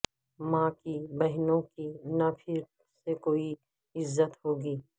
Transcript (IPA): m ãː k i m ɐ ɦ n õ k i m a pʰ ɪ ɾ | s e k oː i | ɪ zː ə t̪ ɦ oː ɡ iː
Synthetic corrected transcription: m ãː k i b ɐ ɦ n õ k i n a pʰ ɪ ɾ | s e k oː i | ɪ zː ə t̪ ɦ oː ɡ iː